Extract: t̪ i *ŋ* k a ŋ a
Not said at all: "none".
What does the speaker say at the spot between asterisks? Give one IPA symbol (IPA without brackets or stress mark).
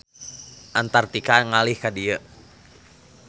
none